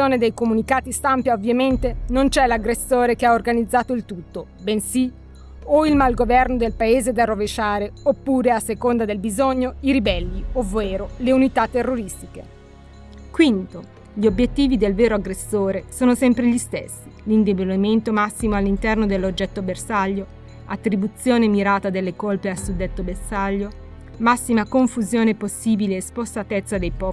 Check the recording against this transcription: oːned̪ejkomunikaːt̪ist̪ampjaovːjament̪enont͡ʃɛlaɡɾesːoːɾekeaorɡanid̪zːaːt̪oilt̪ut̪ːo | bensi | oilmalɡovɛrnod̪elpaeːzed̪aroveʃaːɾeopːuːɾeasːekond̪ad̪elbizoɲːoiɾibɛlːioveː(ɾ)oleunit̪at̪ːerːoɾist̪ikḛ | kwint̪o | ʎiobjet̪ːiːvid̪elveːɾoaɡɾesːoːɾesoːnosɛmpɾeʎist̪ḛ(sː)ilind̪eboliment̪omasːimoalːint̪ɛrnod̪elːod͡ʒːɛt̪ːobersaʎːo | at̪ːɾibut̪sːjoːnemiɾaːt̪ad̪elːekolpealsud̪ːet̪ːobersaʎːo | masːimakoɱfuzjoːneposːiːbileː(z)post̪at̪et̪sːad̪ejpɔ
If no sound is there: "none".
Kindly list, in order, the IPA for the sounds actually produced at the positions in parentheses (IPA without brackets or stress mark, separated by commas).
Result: ɾ, sː, s